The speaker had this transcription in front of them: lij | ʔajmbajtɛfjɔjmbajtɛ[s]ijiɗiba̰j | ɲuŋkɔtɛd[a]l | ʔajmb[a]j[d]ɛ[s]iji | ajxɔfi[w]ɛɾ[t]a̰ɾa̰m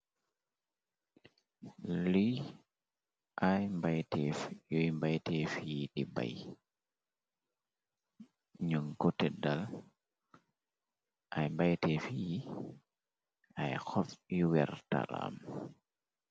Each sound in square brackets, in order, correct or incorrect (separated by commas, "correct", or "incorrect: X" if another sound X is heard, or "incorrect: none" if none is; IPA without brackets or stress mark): incorrect: f, correct, correct, incorrect: t, incorrect: f, correct, correct